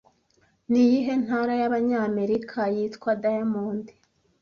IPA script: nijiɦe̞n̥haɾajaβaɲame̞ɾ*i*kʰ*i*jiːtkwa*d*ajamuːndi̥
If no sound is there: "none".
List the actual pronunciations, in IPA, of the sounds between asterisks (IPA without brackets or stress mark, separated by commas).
i, a, d